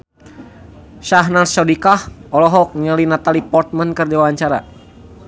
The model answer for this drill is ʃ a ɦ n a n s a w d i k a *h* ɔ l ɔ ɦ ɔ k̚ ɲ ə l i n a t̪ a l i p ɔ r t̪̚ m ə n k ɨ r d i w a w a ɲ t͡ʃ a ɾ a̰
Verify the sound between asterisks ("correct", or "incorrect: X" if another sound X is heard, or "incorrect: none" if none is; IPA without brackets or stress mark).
correct